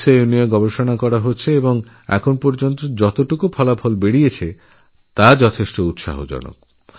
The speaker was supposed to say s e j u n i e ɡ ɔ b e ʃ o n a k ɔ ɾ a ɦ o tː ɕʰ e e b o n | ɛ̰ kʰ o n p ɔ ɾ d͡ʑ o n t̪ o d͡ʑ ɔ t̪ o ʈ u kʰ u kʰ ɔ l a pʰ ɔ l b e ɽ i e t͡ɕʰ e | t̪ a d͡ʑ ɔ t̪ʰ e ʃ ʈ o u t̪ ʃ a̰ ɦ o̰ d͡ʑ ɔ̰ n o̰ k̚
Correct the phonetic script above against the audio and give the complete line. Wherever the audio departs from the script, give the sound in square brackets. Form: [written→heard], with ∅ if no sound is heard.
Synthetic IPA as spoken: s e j u n i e ɡ ɔ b e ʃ o n a k ɔ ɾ a ɦ o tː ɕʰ e e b o [n→ŋ] | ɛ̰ kʰ o n p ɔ ɾ d͡ʑ o n t̪ o d͡ʑ ɔ t̪ o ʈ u [kʰ→k] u [kʰ→pʰ] ɔ l a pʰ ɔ l b e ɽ i e t͡ɕʰ e | t̪ a d͡ʑ ɔ t̪ʰ e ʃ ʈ o u t̪ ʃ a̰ ɦ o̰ d͡ʑ ɔ̰ n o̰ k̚